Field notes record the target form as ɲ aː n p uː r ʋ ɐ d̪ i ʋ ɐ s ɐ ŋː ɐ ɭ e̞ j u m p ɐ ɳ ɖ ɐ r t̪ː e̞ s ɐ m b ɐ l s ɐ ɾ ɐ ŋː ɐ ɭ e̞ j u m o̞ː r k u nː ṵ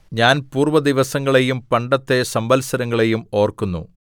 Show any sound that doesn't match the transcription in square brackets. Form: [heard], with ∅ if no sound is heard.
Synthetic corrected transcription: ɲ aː n p uː r ʋ ɐ d̪ i ʋ ɐ s ɐ ŋː ɐ ɭ e̞ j u m p ɐ ɳ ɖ ɐ [∅] t̪ː e̞ s ɐ m b ɐ l s ɐ ɾ ɐ ŋː ɐ ɭ e̞ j u m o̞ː r k u nː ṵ